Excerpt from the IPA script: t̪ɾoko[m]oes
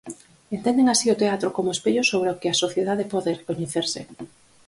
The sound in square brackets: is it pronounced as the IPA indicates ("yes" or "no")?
yes